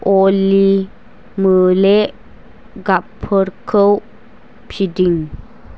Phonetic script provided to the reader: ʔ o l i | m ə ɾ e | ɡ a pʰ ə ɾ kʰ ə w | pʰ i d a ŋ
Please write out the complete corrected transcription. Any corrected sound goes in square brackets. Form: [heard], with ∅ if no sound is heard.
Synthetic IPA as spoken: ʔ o l i | m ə [l] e | ɡ a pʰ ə ɾ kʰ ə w | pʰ i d [i] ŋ